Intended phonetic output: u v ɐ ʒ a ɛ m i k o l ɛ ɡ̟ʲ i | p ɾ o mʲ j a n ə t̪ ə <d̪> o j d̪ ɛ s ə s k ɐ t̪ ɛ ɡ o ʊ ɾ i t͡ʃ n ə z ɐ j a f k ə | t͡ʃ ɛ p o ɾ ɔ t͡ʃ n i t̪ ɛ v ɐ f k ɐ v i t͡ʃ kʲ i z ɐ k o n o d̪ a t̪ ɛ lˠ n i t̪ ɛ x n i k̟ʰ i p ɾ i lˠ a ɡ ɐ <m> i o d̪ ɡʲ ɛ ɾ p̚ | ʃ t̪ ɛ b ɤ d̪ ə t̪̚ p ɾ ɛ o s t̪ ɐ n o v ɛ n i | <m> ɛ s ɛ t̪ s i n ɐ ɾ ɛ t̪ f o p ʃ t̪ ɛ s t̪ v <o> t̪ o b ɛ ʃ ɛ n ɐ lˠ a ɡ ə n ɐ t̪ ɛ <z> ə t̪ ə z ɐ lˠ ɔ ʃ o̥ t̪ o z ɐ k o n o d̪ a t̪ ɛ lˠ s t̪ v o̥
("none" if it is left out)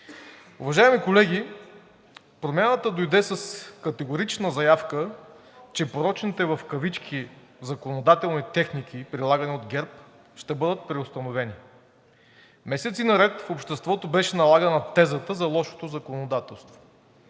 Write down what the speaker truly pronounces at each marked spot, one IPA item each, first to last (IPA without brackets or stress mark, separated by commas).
d̪, n, m, ɔ, z